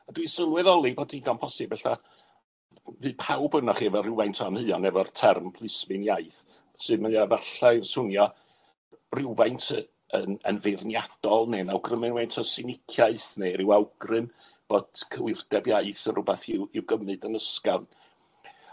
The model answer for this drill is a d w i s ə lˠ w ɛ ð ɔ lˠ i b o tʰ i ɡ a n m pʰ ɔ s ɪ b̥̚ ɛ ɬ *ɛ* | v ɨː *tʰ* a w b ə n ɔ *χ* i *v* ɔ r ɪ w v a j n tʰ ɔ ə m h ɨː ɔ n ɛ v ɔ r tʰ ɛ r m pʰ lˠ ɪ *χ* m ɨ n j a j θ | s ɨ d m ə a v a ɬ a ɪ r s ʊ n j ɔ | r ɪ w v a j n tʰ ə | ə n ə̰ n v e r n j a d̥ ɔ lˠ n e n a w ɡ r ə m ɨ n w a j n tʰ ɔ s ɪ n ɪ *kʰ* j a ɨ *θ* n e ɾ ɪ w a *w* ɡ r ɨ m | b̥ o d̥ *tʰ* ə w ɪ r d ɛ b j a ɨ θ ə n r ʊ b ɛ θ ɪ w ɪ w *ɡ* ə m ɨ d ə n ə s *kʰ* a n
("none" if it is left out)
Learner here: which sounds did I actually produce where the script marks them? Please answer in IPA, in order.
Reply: a, pʰ, χ, v, s, kʰ, θ, w, kʰ, ɡ, k

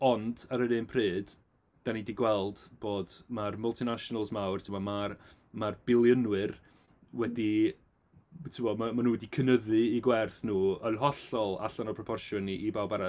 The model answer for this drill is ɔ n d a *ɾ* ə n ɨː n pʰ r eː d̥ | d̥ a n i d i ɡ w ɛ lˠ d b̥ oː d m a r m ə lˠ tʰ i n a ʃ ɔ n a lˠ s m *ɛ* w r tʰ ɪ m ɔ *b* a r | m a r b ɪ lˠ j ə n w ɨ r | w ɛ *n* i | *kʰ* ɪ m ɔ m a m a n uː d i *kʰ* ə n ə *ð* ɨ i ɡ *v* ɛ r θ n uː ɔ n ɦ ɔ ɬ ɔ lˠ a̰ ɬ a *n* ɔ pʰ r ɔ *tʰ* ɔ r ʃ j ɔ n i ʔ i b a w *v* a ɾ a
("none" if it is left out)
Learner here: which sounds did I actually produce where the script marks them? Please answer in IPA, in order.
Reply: ɾ, a, m, d, tʰ, kʰ, ð, w, n, pʰ, b

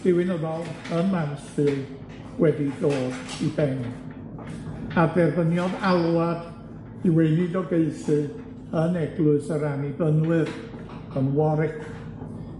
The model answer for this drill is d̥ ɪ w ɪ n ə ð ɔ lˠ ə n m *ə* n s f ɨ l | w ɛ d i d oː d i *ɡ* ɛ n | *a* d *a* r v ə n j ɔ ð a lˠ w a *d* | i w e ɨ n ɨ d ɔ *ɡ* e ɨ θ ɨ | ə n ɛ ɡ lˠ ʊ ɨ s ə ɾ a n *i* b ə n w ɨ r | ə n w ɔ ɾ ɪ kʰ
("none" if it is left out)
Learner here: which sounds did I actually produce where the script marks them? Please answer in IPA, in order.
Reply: a, b, a, ɛ, d, ɡ, i

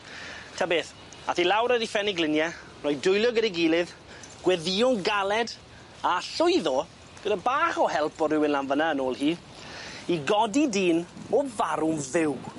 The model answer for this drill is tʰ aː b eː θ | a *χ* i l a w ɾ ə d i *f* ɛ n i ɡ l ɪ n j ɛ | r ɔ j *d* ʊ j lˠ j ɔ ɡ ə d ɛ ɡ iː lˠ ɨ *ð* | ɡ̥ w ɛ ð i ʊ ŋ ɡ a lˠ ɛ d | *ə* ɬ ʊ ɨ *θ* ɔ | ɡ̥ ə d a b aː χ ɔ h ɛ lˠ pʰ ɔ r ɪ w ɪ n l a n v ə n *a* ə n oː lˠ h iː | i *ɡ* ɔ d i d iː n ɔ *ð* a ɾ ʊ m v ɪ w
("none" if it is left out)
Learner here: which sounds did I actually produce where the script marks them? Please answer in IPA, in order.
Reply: θ, f, d, ð, a, ð, a, ɡ, v

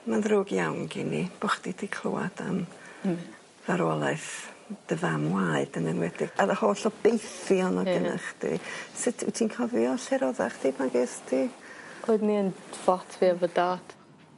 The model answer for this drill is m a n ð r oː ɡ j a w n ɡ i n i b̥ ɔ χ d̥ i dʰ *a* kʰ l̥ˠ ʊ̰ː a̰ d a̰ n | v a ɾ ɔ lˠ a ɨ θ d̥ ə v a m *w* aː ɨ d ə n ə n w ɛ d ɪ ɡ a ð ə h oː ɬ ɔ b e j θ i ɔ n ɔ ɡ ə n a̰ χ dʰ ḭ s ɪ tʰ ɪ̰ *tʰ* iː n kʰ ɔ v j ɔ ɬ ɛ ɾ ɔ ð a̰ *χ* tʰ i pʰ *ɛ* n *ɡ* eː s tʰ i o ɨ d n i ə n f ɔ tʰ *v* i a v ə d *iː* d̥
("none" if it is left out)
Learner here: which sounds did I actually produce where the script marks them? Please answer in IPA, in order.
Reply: i, w, tʰ, χ, a, ɡ, v, aː

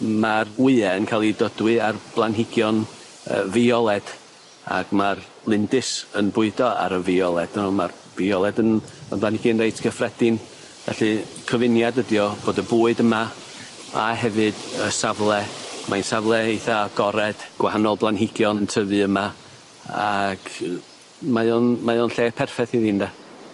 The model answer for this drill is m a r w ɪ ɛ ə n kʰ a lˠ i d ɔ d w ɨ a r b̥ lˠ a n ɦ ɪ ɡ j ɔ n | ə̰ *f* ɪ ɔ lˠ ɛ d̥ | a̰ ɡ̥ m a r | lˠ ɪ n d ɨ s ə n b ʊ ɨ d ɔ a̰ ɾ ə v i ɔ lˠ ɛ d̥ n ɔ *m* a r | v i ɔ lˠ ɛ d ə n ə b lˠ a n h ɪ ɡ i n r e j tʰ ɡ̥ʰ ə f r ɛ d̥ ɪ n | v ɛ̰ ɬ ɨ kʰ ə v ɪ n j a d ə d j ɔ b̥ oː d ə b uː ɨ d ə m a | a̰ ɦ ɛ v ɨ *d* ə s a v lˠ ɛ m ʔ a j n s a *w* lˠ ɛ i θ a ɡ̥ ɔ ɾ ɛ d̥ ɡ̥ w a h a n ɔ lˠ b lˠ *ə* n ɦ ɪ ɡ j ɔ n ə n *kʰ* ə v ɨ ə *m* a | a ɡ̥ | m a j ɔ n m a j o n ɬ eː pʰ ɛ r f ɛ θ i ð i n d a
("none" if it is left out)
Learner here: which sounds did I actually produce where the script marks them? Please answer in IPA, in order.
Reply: v, m, d, v, a, tʰ, m

